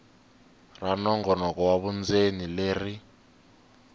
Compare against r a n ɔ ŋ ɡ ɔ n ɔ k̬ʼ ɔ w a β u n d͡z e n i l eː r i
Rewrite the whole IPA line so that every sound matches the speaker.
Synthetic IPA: r a n ɔ ŋ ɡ ɔ n ɔ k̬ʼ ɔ w a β u n d͡z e n i l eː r i